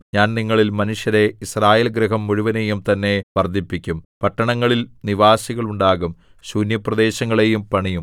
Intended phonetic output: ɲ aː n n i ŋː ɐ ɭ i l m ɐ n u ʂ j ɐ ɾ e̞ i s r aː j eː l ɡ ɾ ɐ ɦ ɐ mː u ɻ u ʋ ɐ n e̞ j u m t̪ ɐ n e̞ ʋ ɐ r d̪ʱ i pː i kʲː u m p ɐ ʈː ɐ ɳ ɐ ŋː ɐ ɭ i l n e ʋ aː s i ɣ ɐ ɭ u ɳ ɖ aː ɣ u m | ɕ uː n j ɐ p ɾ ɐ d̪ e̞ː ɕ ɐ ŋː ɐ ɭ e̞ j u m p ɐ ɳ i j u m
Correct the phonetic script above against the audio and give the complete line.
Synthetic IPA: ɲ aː n n i ŋː ɐ ɭ i l m ɐ n u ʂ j ɐ ɾ e̞ i s r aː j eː l ɡ ɾ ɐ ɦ ɐ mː u ɻ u ʋ ɐ n e̞ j u m t̪ ɐ nː e̞ ʋ ɐ r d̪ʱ i pː i kʲː u m p ɐ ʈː ɐ ɳ ɐ ŋː ɐ ɭ i l n i ʋ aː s i ɣ ɐ ɭ u ɳ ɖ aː ɣ u m | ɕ uː n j ɐ p r ɐ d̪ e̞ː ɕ ɐ ŋː ɐ ɭ e̞ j u m p ɐ ɳ i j u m